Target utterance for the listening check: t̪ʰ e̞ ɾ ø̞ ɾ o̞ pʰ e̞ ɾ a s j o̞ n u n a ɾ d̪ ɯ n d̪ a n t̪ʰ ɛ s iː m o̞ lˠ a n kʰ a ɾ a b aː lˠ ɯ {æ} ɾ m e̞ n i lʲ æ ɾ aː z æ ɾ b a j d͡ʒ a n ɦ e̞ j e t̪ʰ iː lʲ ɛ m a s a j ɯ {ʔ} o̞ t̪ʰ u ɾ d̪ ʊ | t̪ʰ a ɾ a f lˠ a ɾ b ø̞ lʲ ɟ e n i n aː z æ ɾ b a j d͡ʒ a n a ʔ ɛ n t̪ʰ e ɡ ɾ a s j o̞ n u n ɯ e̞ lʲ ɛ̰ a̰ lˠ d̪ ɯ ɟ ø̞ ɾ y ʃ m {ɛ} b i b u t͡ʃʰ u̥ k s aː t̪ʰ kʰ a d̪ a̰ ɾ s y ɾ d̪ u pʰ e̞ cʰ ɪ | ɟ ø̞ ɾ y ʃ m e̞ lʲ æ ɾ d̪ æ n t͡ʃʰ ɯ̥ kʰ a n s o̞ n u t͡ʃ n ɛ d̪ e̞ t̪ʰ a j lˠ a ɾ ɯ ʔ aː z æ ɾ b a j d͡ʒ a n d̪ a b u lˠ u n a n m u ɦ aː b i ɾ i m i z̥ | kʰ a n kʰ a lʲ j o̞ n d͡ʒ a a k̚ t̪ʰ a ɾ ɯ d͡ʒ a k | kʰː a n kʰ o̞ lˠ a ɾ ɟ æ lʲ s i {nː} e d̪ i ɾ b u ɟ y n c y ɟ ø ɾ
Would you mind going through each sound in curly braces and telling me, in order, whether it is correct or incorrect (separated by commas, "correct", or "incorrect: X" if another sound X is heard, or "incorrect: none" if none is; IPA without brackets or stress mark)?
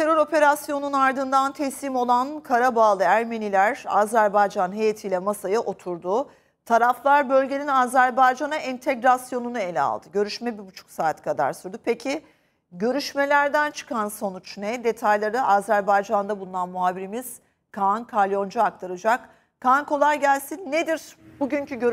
correct, correct, correct, correct